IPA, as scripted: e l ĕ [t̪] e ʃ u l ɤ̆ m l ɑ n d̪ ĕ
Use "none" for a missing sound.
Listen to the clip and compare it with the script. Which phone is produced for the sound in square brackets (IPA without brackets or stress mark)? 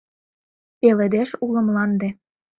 d̪